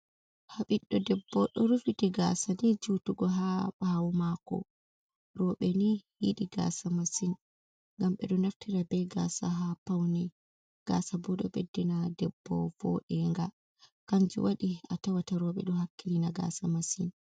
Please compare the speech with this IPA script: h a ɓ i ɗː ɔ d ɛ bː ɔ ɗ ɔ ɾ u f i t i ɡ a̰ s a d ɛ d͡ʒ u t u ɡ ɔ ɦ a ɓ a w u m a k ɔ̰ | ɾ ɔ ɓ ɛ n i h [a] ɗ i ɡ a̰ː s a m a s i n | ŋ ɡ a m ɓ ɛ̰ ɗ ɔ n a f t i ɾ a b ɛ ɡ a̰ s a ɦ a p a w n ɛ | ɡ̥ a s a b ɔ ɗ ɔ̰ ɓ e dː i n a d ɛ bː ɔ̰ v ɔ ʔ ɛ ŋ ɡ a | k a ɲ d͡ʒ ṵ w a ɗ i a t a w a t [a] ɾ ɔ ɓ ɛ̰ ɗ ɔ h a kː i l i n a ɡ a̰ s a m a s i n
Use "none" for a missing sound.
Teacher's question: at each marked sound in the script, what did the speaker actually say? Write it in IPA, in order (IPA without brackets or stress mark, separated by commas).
i, a